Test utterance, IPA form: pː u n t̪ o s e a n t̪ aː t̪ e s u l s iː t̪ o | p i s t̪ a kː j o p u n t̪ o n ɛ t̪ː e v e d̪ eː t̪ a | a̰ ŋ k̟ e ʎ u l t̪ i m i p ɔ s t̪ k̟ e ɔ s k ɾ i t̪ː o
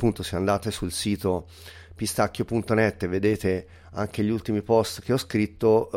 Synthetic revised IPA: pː u n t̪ o s e a n d̪ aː t̪ e s u l s iː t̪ o | p i s t̪ a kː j o p u n t̪ o n ɛ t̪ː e v e d̪ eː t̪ e | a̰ ŋ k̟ e ʎ u l t̪ i m i p ɔ s t̪ k̟ e ɔ s k ɾ i t̪ː o